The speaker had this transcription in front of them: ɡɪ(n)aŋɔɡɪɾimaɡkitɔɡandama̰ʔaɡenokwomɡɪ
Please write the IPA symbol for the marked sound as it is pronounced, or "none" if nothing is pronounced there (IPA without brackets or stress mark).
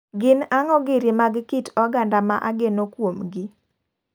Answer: n